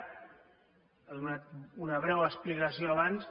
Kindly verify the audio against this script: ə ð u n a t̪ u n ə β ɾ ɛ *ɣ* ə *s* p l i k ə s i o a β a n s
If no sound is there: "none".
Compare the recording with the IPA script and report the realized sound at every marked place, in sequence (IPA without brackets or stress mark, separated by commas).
w, s